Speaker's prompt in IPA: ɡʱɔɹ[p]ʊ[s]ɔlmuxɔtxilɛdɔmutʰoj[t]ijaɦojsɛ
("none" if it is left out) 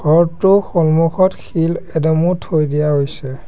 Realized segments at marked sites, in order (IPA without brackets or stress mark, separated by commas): t, x, d